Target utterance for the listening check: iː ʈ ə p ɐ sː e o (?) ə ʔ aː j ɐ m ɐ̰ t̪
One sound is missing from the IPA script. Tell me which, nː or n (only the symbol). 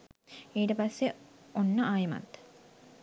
nː